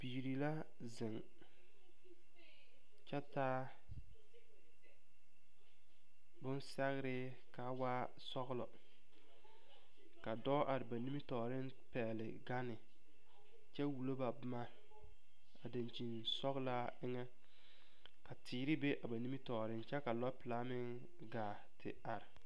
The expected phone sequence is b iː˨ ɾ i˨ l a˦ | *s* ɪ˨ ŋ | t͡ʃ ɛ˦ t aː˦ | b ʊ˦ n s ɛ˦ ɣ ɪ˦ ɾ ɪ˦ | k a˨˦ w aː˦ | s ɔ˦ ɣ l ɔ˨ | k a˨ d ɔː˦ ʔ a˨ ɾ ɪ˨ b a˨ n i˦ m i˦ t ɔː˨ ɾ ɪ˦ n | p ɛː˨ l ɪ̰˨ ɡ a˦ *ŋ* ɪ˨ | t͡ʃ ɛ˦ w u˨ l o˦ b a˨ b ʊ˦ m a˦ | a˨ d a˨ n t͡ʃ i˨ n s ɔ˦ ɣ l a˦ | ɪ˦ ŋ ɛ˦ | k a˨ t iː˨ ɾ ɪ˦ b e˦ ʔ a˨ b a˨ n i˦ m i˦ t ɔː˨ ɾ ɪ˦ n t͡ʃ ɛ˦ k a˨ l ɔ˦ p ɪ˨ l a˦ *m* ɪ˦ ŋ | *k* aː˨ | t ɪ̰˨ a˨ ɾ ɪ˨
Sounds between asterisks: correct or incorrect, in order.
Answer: incorrect, incorrect, correct, incorrect

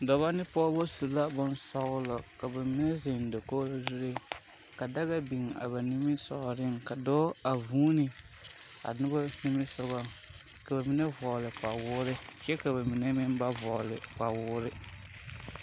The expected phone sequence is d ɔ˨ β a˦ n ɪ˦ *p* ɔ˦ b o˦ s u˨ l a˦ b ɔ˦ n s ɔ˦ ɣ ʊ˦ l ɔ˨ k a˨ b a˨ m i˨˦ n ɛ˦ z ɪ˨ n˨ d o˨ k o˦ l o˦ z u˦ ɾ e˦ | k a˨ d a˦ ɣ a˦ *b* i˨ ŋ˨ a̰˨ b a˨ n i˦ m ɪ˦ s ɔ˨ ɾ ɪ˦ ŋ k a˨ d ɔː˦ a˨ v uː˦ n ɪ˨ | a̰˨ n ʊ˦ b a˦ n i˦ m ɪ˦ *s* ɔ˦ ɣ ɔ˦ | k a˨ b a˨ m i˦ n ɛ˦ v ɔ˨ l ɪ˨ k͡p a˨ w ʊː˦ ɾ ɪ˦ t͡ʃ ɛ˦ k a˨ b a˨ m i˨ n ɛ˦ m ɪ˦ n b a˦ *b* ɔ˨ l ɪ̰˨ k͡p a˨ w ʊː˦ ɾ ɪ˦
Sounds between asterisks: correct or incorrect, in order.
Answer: correct, correct, correct, incorrect

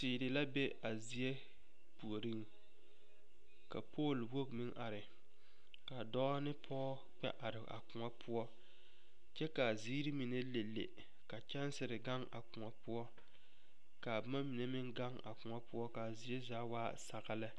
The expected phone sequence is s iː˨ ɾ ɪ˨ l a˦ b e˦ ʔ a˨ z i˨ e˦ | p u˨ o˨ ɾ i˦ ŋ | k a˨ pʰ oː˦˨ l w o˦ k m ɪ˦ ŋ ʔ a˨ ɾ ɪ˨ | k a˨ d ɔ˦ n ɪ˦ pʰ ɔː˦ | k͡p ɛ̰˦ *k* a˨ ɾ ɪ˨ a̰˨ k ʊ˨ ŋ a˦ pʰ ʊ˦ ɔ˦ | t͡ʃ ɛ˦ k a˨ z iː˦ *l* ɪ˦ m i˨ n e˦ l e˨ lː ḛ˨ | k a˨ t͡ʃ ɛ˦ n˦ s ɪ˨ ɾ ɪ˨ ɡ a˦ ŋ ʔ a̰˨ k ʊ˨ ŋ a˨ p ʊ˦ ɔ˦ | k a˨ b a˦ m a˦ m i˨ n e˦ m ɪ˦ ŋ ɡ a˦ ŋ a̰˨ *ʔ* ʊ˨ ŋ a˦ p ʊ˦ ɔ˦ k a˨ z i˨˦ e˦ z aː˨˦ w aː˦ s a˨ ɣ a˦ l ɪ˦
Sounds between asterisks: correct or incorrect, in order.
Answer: incorrect, incorrect, incorrect

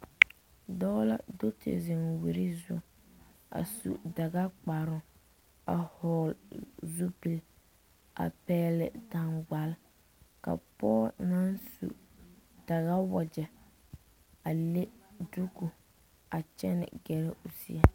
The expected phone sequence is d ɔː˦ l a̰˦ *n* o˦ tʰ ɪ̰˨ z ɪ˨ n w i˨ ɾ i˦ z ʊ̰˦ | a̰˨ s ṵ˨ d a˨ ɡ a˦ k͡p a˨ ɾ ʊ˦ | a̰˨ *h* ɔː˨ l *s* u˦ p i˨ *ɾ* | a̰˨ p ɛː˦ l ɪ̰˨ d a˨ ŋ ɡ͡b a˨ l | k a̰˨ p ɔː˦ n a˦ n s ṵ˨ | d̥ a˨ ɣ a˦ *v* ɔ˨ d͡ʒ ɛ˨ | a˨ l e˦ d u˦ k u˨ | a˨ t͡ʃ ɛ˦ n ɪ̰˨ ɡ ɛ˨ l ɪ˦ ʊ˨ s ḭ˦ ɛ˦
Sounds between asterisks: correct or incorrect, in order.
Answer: incorrect, correct, incorrect, incorrect, incorrect

